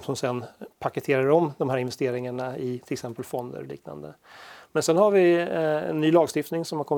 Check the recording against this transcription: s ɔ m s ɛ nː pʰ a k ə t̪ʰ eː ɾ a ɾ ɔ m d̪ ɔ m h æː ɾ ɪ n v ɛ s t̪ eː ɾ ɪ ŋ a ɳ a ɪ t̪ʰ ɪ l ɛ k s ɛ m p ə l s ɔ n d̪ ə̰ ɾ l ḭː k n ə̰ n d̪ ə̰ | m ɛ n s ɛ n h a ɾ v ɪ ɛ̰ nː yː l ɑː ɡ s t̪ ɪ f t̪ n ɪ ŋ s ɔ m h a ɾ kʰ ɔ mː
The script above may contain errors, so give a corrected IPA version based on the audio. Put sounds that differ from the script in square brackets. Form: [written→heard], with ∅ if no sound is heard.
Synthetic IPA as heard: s ɔ m s ɛ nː pʰ a k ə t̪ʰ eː ɾ a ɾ ɔ m d̪ ɔ m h æː ɾ ɪ n v ɛ s t̪ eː ɾ ɪ ŋ a ɳ a ɪ t̪ʰ ɪ l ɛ k s ɛ m p ə l [s→f] ɔ n d̪ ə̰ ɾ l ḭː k n [ə̰→a̰] n d̪ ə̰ | m ɛ n s ɛ n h a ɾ v ɪ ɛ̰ nː yː l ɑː ɡ s t̪ ɪ f t̪ n ɪ ŋ s ɔ m h a ɾ kʰ ɔ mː